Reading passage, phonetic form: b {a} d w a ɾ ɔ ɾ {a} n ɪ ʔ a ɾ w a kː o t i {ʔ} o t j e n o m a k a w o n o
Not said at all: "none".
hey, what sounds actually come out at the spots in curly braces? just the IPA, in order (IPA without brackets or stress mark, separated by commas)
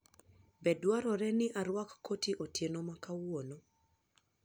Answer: ɛ, ɛ, ʔ